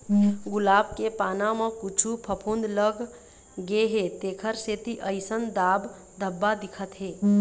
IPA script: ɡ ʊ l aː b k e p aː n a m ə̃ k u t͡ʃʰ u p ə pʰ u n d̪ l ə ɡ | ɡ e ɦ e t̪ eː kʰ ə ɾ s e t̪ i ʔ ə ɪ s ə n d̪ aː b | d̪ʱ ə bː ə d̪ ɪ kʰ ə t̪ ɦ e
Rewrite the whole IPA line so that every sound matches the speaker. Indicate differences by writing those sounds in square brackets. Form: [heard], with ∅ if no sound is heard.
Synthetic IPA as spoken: ɡ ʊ l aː b k e p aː n a m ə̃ k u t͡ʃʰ u [pʰ] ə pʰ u n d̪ l ə ɡ | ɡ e ɦ e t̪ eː kʰ ə ɾ s e t̪ i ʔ ə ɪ s ə n d̪ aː b | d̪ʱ ə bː [a] d̪ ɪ kʰ ə t̪ ɦ e